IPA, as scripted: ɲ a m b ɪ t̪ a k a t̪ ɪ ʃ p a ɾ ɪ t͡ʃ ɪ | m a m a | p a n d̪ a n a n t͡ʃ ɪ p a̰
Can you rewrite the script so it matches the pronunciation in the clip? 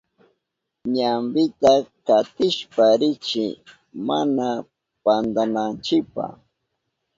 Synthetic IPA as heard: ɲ a m b ɪ t̪ a k a t̪ ɪ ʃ p a ɾ ɪ t͡ʃ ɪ | m a n a | p a n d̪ a n a n t͡ʃ ɪ p a̰